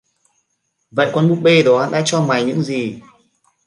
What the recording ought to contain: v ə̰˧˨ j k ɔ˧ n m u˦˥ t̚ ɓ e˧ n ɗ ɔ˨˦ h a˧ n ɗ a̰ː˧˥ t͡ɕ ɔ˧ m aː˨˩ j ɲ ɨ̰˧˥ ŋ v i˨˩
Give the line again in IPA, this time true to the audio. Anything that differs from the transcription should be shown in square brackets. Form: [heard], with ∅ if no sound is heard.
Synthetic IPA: v ə̰˧˨ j k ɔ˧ n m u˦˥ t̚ ɓ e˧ [∅] ɗ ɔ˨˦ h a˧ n ɗ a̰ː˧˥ t͡ɕ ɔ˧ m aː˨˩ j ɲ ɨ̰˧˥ ŋ [z] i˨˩